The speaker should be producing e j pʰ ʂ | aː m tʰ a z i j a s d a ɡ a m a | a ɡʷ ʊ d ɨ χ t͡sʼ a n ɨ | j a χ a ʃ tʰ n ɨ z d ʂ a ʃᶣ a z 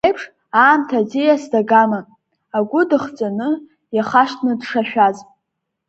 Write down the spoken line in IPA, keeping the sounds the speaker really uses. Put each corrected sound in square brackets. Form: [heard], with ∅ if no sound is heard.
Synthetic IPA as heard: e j pʰ ʂ | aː m tʰ a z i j a s d a ɡ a m a | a ɡʷ ʊ d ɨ χ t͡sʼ a n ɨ | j a χ a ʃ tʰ n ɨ [∅] d ʂ a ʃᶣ a z